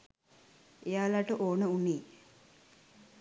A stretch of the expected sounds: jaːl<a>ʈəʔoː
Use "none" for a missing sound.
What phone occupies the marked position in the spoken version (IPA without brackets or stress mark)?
a